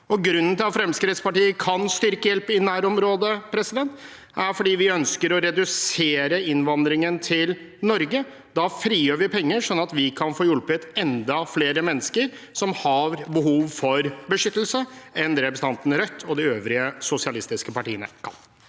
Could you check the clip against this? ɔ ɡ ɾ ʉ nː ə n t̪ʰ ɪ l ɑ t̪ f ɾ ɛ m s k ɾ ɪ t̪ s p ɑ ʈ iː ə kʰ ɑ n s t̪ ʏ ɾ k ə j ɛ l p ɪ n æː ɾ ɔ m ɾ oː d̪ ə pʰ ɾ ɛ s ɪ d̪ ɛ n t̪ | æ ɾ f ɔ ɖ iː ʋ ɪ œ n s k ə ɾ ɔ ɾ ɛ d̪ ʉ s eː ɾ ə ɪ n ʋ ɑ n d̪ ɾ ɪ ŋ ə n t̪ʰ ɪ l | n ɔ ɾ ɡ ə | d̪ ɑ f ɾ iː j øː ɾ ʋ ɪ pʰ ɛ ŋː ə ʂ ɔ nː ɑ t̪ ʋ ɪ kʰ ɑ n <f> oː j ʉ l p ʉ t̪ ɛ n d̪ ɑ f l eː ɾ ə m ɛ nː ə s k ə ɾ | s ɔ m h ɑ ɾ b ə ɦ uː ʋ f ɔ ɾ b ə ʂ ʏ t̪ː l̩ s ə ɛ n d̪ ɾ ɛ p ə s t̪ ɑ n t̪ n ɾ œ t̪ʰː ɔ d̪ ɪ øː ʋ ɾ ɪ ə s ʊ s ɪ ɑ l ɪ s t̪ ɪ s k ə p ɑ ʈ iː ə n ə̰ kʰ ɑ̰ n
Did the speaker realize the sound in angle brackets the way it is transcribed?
yes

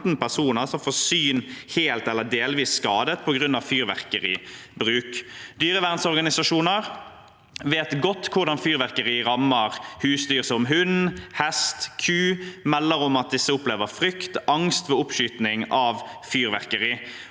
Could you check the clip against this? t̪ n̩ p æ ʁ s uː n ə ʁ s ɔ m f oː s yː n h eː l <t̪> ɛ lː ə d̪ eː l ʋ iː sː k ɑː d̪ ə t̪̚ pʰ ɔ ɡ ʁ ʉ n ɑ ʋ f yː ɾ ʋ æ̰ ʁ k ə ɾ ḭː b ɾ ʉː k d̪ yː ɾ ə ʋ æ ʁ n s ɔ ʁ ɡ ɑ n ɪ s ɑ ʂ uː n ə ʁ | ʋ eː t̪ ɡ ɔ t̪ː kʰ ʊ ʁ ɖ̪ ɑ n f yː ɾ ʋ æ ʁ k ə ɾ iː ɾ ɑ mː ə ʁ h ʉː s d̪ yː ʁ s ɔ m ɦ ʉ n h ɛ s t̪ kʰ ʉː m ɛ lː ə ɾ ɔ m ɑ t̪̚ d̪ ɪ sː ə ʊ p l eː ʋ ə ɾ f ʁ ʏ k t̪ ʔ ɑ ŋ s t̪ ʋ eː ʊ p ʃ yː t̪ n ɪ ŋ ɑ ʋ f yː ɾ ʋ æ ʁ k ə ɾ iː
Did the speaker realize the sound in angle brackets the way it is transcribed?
yes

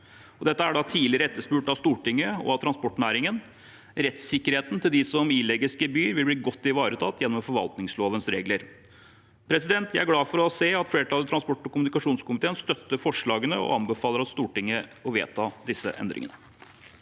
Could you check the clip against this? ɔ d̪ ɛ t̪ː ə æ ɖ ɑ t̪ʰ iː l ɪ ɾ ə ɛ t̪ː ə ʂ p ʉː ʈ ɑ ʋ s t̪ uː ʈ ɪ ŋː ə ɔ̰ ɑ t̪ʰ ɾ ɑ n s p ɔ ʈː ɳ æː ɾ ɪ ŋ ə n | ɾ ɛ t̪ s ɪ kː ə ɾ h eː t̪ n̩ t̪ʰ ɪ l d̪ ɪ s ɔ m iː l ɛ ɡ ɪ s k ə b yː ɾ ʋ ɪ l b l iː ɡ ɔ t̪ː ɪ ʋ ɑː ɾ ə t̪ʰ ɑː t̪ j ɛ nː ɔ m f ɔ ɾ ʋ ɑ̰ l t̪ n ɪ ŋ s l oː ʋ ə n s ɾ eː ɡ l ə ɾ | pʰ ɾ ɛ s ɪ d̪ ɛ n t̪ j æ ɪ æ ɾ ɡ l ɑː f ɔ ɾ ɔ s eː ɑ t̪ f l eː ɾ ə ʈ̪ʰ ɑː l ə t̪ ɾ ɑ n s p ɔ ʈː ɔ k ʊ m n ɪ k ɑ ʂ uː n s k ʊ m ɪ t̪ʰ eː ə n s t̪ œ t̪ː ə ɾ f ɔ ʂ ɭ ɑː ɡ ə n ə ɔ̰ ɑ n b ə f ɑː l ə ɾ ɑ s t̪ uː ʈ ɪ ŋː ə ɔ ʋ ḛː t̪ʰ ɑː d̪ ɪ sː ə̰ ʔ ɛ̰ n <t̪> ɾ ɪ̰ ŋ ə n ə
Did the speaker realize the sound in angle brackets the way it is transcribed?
no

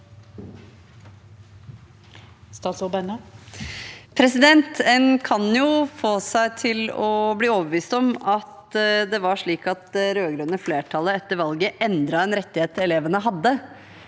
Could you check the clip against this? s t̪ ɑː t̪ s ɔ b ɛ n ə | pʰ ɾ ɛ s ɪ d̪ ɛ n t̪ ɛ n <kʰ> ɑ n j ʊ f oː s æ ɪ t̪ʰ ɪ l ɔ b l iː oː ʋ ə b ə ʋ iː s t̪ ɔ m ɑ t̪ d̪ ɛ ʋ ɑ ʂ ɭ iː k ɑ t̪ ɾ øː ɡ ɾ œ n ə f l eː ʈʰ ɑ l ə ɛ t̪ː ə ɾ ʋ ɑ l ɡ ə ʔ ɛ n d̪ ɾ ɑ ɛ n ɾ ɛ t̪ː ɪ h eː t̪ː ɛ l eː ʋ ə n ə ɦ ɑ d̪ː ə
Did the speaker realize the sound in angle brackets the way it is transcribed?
yes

